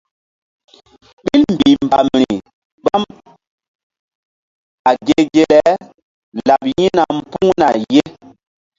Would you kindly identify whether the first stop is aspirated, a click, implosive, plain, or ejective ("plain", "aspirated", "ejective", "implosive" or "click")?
implosive